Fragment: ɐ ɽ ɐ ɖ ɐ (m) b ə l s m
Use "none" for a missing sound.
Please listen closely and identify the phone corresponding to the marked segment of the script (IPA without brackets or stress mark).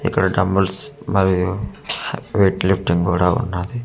m